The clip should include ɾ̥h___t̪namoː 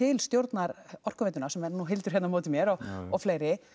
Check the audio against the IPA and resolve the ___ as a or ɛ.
ɛ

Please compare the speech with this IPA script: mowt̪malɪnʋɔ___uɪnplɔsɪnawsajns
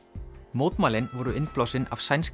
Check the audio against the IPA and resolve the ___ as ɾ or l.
ɾ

